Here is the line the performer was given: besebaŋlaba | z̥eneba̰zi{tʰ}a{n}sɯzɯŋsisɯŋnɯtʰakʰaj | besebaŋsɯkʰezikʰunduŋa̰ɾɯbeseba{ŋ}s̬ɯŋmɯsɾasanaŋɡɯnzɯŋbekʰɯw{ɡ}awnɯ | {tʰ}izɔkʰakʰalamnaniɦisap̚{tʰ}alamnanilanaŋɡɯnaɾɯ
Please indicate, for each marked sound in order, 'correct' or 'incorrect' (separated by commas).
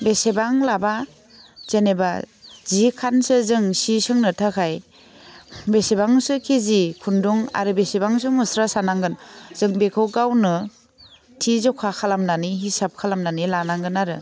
incorrect, correct, correct, correct, correct, incorrect